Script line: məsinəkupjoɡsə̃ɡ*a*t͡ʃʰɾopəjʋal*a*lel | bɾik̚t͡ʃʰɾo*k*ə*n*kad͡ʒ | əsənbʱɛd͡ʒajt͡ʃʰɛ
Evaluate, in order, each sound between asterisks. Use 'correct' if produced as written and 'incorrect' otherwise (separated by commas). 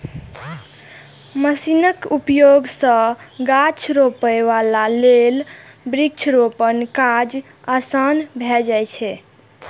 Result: correct, correct, incorrect, correct